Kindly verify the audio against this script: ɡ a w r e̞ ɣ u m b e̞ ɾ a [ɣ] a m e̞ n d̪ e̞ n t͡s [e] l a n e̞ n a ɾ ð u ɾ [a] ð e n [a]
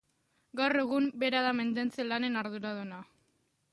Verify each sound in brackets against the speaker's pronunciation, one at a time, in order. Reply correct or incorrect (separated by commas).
incorrect, correct, correct, correct